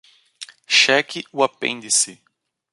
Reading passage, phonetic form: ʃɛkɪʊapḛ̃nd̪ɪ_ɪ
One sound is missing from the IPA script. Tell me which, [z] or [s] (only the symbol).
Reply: s